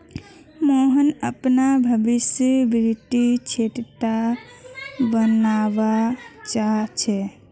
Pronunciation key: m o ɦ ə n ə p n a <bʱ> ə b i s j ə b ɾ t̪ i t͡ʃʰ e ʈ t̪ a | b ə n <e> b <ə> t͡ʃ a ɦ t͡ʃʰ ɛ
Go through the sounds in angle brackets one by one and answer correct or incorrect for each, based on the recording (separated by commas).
correct, incorrect, incorrect